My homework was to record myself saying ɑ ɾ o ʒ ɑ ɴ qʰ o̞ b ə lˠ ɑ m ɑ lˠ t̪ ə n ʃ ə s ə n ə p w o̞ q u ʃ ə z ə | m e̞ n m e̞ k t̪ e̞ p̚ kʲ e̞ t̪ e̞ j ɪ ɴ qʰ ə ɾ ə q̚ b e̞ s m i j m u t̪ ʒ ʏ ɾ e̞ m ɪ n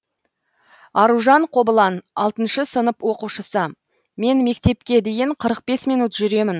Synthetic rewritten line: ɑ ɾ u ʒ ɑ ɴ qʰ o̞ b ə lˠ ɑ n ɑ lˠ t̪ ə n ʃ ə s ə n ə p w o̞ q u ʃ ə s ə | m e̞ n m e̞ k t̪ e̞ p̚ kʲ e̞ d̪ e̞ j ɪ ɴ qʰ ə ɾ ə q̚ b e̞ s m i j n u t̪ ʒ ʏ ɾ e̞ m ɪ n